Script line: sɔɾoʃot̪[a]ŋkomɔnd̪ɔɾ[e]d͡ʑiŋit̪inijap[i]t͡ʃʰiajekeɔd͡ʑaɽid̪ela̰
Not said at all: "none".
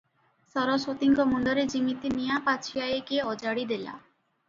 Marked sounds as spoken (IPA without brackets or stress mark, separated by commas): i, e, a